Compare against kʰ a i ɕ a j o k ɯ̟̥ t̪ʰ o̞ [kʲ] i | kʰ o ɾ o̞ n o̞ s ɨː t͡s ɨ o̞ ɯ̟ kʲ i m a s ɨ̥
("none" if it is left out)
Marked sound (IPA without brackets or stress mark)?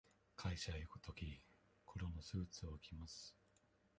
kʲ